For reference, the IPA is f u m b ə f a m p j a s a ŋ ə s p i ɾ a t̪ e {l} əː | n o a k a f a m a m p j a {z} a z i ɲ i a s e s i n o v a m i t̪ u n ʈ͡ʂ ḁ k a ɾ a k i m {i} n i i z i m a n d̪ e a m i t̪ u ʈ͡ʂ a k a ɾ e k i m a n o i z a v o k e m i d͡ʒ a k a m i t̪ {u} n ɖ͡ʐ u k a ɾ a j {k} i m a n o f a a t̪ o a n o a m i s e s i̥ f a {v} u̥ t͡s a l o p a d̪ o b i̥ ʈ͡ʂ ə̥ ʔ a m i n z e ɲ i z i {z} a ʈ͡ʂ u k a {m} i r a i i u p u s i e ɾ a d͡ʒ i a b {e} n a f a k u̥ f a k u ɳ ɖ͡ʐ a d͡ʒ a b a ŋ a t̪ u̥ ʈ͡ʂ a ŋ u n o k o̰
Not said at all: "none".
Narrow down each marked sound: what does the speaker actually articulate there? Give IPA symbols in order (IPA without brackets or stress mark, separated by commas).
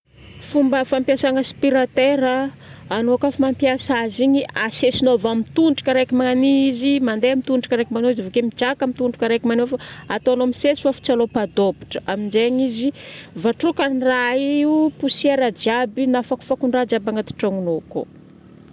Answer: ɾ, s, a, u, k, f, v, n, i